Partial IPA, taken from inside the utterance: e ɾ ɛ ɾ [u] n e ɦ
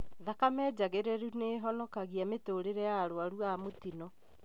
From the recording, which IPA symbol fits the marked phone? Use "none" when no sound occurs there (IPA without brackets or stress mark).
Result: u